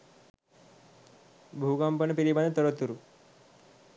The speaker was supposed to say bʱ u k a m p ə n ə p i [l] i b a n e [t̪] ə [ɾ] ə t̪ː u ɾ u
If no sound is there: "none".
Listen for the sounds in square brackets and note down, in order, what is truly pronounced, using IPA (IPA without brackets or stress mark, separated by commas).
ɾ, t̪, ɾ